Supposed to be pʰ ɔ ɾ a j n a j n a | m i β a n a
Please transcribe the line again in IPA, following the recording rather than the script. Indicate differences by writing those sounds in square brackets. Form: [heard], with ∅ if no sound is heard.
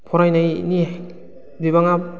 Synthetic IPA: pʰ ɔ ɾ a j n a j n [i] | [b] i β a [ŋ] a